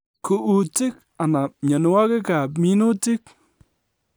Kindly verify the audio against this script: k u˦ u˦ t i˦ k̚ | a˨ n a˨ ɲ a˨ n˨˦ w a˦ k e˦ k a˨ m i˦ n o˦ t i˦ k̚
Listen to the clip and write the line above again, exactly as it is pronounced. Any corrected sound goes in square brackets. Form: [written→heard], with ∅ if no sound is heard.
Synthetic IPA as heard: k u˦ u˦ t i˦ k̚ | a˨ n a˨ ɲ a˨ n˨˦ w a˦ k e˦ k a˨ m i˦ n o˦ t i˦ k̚